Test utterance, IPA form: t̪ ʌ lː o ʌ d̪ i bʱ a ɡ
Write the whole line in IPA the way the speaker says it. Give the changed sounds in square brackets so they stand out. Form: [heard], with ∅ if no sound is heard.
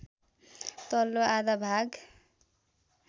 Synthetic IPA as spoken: t̪ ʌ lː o [a] d̪ [a] bʱ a ɡ